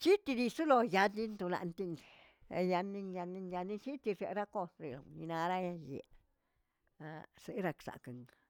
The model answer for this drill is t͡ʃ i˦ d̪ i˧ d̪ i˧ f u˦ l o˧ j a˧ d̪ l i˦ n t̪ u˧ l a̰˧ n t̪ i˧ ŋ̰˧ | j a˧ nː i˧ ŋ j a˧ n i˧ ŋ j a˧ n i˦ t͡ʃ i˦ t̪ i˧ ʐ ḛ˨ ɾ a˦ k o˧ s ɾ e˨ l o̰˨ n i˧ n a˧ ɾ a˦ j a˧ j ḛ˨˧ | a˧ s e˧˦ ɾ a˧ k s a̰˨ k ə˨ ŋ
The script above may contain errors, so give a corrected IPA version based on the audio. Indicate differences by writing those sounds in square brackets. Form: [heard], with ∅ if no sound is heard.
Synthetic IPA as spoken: t͡ʃ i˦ [t̪] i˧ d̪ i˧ [s] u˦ l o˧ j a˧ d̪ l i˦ n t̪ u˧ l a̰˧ n t̪ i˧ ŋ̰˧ | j a˧ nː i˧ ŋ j a˧ n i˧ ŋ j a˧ n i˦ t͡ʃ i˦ t̪ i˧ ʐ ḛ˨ ɾ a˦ k o˧ s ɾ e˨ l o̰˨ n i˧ n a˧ ɾ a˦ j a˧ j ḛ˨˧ | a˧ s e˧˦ ɾ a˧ k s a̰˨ k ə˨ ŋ